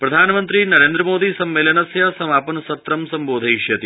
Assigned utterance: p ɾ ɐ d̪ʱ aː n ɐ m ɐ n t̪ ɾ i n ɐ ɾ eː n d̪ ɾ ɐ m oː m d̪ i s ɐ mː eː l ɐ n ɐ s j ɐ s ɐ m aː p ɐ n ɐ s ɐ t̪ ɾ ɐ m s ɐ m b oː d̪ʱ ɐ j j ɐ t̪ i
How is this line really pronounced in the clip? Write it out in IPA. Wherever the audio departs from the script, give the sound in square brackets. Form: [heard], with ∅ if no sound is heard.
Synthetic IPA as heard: p ɾ ɐ d̪ʱ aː n ɐ m ɐ n t̪ ɾ i n ɐ ɾ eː n d̪ ɾ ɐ m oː [∅] d̪ i s ɐ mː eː l ɐ n ɐ s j ɐ s ɐ m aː p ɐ n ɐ s ɐ t̪ ɾ ɐ m s ɐ m b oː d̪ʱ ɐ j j ɐ t̪ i